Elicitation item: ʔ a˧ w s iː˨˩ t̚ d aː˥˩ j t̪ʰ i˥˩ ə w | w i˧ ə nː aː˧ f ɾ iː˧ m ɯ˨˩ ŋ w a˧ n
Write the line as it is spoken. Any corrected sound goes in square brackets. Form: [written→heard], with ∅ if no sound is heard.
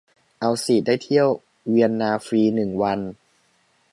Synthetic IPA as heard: ʔ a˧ w s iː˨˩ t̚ d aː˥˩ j t̪ʰ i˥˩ ə w | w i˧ ə nː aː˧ f ɾ iː˧ [m→n] ɯ˨˩ ŋ w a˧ n